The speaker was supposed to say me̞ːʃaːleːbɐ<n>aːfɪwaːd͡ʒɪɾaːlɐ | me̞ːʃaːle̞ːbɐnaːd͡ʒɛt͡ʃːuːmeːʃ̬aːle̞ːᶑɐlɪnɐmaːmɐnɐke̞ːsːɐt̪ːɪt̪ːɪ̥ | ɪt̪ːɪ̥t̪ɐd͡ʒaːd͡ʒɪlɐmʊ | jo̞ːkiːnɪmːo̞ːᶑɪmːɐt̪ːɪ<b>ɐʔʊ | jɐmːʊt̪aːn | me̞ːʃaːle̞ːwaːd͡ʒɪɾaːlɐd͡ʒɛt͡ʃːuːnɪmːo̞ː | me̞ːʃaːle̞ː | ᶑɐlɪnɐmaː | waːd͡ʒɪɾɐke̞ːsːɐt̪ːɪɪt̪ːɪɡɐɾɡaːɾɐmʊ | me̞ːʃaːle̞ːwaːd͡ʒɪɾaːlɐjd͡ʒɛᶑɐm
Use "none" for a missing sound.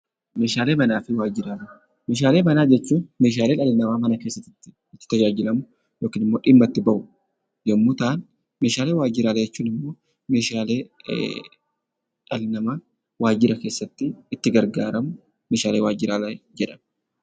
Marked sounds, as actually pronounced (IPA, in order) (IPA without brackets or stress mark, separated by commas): n, b